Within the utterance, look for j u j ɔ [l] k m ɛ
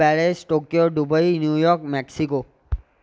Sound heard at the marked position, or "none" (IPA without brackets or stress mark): ɾ